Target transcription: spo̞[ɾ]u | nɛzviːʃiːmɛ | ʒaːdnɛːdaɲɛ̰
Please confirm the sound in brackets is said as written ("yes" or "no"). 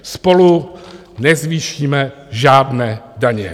no